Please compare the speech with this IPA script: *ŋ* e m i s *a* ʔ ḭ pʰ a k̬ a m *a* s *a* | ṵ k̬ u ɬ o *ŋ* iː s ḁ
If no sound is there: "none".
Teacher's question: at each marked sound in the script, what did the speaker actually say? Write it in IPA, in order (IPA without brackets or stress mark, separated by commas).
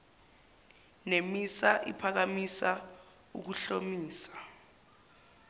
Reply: n, a, i, a, m